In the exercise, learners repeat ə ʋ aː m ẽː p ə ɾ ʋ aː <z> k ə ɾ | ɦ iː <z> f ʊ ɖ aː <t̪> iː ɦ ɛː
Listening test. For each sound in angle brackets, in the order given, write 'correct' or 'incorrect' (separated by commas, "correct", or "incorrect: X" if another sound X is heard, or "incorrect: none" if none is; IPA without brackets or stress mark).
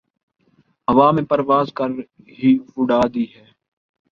correct, incorrect: none, incorrect: d̪